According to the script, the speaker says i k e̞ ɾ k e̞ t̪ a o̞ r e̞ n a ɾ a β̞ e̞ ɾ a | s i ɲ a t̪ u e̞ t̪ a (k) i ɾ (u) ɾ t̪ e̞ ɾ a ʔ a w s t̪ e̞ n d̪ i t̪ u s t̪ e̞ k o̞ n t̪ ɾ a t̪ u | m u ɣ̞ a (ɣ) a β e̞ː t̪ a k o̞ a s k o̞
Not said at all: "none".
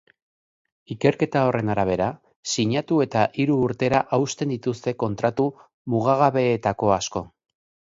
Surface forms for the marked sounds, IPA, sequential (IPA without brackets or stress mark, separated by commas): ʔ, uː, ɣ